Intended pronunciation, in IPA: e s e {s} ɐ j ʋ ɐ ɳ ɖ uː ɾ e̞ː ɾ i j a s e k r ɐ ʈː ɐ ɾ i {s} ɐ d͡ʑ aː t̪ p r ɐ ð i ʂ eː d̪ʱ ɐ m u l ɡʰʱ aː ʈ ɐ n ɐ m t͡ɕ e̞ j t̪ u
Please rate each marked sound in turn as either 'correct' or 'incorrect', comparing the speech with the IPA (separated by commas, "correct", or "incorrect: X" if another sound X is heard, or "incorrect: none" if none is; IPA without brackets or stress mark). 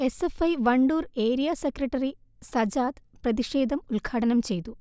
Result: incorrect: f, correct